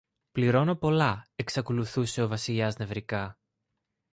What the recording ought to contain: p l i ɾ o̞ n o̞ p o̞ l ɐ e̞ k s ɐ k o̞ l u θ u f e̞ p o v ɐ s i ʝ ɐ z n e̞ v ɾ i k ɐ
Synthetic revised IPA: p l i ɾ o̞ n o̞ p o̞ l ɐ e̞ k s ɐ k o̞ l u θ u s e̞ o v ɐ s i ʎ ɐ z n e̞ v ɾ i k ɐ